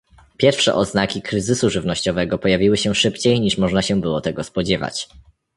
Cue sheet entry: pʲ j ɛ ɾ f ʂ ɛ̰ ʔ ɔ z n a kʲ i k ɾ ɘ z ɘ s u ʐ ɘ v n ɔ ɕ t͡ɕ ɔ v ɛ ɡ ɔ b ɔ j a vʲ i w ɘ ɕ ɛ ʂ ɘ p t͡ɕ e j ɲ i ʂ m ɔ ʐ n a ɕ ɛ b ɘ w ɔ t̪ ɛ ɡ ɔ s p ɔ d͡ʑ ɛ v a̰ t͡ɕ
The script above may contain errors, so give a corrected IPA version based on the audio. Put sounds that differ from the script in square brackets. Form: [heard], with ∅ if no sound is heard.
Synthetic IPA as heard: pʲ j ɛ ɾ f ʂ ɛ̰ ʔ ɔ z n a kʲ i k ɾ ɘ z ɘ s u ʐ ɘ v n ɔ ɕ t͡ɕ ɔ v ɛ ɡ ɔ [p] ɔ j a vʲ i w ɘ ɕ ɛ ʂ ɘ p t͡ɕ e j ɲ i ʂ m ɔ ʐ n a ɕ ɛ b ɘ w ɔ t̪ ɛ ɡ ɔ s p ɔ d͡ʑ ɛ v a̰ t͡ɕ